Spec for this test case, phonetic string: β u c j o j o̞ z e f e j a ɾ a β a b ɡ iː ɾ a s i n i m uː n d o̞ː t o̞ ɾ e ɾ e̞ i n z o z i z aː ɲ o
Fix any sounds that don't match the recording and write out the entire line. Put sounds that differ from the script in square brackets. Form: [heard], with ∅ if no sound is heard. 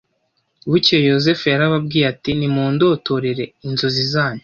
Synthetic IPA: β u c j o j o̞ z e f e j a ɾ a β a b ɡ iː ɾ a [t] i n i m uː n d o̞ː t o̞ ɾ e ɾ e̞ i n z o z i z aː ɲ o